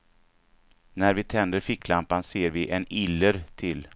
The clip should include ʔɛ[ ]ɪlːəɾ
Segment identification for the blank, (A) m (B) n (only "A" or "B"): B